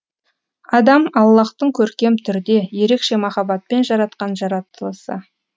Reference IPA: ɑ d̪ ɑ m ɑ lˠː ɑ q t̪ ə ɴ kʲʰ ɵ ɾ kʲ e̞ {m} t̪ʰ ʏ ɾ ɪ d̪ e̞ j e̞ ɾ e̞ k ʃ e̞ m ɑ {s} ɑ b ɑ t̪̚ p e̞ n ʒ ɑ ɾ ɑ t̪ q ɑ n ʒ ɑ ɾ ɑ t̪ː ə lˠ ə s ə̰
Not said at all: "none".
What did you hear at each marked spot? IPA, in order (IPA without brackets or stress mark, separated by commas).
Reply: m, χ